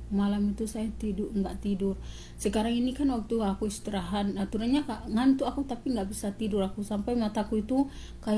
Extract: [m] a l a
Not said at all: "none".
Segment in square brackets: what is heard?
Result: m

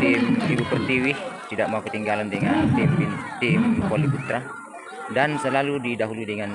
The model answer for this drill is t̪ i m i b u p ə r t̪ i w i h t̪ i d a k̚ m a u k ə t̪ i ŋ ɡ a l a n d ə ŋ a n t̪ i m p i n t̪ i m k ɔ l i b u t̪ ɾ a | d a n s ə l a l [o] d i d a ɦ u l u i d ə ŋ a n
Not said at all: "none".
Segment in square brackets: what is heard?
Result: u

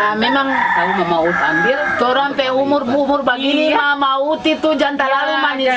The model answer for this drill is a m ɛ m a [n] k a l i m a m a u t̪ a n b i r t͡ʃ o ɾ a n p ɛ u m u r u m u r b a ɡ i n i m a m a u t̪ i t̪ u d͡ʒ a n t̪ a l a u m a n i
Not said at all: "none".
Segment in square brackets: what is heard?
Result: ŋ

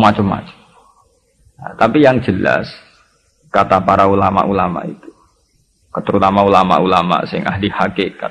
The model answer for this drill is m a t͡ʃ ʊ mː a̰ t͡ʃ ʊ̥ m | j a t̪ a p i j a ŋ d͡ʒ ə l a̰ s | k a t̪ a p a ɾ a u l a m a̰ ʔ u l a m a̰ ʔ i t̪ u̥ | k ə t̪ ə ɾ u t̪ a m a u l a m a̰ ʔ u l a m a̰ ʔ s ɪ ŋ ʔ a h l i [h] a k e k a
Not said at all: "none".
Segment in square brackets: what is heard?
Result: h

